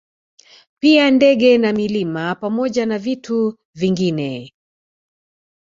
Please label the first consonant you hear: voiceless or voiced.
voiceless